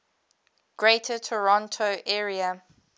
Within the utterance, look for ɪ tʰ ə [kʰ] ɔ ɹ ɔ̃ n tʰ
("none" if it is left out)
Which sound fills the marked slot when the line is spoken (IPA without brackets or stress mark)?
tʰ